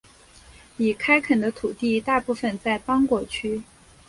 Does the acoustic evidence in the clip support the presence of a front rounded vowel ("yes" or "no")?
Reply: yes